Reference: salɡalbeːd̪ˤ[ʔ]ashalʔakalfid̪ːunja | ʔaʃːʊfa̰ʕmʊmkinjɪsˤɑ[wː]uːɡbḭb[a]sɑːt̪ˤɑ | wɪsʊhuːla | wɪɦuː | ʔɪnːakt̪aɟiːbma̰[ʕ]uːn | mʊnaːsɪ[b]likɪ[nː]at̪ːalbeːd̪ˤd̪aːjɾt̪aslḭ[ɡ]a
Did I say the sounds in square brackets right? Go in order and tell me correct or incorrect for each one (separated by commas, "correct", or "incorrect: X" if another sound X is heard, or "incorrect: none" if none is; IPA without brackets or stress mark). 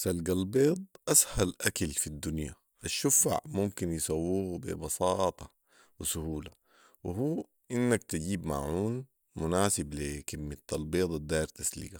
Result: correct, correct, incorrect: ɑ, correct, correct, incorrect: mː, correct